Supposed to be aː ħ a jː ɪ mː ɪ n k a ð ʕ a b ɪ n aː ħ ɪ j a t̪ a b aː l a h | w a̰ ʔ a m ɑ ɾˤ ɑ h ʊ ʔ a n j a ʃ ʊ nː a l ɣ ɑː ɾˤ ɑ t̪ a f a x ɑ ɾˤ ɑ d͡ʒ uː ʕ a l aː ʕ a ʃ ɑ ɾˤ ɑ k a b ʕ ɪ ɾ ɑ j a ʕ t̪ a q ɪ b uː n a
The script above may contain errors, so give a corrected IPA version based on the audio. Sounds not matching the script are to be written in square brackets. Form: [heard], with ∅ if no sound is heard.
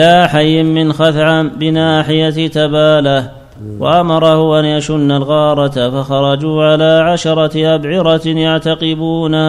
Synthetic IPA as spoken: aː ħ a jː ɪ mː ɪ n [x] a [θ] ʕ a b ɪ n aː ħ ɪ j a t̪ a b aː l a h | w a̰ ʔ a m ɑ ɾˤ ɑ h ʊ ʔ a n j a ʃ ʊ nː a l ɣ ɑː ɾˤ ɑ t̪ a f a x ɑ ɾˤ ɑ d͡ʒ uː ʕ a l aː ʕ a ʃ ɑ ɾˤ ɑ [ʔ] a b ʕ ɪ ɾ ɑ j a ʕ t̪ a q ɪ b uː n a